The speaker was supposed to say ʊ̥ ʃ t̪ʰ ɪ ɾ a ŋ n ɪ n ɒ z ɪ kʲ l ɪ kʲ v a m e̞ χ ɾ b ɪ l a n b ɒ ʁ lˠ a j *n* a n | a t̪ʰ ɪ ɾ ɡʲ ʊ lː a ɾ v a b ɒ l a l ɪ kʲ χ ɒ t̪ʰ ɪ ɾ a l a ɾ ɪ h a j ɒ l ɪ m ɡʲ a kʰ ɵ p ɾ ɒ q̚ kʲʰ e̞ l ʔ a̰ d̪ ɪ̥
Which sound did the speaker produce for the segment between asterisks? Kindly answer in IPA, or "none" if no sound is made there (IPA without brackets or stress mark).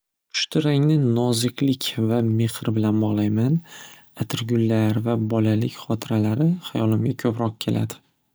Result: m